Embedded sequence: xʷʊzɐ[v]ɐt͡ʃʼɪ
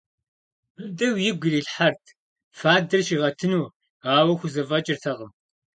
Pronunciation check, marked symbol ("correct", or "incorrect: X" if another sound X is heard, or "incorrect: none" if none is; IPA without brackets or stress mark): correct